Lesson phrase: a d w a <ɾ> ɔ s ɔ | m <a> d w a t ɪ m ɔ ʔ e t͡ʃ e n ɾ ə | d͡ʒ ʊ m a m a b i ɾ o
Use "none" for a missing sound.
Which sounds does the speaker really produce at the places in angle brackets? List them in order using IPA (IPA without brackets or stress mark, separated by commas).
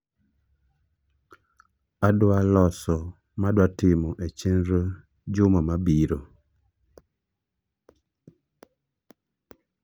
l, a